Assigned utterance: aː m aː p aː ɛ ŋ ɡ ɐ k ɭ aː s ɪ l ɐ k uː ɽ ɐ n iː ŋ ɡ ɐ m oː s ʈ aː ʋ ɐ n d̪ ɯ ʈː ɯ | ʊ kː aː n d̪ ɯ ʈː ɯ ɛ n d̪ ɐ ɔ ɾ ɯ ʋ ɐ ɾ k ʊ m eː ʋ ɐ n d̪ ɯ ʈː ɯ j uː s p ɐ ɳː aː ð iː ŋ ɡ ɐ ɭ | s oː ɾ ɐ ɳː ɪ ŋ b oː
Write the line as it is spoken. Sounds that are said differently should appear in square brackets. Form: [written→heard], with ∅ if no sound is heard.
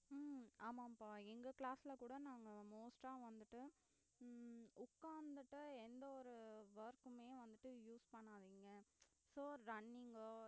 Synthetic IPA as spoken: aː m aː p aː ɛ ŋ ɡ ɐ k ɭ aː s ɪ l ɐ k uː ɽ ɐ n [iː→aː] ŋ ɡ ɐ m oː s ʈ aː ʋ ɐ n d̪ ɯ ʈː ɯ | ʊ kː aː n d̪ ɯ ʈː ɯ ɛ n d̪ ɐ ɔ ɾ ɯ ʋ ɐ ɾ k [ʊ→ɯ] m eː ʋ ɐ n d̪ ɯ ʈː ɯ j uː s p ɐ ɳː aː ð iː ŋ ɡ ɐ [ɭ→∅] | s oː ɾ ɐ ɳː ɪ ŋ [b→ɡ] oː